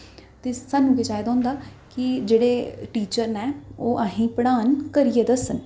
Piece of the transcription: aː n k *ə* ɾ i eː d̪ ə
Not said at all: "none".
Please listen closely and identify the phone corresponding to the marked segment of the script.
ə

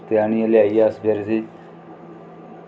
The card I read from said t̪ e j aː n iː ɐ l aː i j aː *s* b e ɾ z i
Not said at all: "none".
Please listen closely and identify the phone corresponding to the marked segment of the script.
s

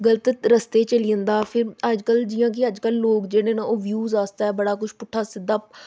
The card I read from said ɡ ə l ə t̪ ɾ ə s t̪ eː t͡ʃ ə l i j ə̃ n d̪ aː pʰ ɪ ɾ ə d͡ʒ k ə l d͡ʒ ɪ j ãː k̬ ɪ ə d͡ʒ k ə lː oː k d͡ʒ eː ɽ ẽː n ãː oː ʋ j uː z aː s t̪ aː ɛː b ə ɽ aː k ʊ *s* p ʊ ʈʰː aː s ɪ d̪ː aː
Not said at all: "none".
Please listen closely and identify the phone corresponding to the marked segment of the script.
ʃ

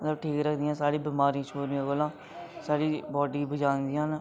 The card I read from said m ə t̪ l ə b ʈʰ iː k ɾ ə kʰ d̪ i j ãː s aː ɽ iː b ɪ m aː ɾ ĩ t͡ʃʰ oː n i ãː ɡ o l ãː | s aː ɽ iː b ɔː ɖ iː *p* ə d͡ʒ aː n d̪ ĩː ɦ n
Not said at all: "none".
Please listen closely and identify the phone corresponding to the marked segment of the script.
b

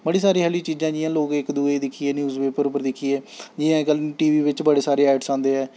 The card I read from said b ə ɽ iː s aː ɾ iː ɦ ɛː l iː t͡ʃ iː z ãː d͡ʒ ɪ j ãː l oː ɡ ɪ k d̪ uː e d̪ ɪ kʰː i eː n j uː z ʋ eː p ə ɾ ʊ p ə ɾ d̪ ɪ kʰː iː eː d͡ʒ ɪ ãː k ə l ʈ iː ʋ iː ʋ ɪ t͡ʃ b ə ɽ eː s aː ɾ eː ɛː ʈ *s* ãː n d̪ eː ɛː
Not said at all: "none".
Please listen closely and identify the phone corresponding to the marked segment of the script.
s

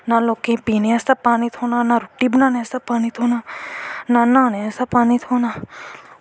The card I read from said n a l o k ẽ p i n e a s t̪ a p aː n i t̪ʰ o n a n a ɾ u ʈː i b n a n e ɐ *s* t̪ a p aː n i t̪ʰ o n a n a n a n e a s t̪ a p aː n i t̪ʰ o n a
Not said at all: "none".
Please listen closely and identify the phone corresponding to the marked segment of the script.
s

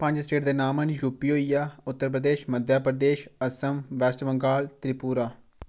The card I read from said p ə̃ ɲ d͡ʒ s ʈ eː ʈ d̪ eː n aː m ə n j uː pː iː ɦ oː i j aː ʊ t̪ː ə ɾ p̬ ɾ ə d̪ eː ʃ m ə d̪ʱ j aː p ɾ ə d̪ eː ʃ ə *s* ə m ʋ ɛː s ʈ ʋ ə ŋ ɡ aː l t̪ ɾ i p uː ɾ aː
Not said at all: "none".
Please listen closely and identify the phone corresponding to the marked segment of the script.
s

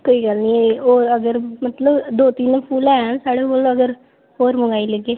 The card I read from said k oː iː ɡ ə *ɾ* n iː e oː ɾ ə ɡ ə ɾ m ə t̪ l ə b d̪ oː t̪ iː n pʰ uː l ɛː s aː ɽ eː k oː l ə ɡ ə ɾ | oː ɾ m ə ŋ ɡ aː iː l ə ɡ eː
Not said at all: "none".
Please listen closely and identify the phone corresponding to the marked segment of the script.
l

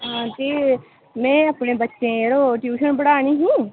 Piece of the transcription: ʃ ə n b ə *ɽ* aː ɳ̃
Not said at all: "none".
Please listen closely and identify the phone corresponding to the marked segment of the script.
ɽ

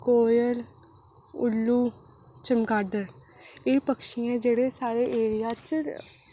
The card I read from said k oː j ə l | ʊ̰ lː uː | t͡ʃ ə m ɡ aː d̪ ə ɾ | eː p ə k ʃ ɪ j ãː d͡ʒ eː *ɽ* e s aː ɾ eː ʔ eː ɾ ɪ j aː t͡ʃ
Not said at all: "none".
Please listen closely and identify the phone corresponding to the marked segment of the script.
ɽ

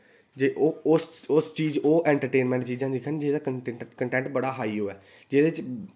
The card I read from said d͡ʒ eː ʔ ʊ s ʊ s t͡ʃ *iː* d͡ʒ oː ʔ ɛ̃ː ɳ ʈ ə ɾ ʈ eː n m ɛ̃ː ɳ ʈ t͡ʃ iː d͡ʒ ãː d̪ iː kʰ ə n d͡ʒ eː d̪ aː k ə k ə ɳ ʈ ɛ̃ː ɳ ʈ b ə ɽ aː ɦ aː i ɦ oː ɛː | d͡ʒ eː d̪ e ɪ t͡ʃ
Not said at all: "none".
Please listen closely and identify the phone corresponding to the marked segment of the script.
iː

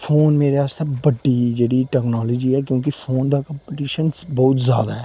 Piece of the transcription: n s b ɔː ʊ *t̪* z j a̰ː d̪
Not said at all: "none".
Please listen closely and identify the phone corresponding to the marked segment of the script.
t̪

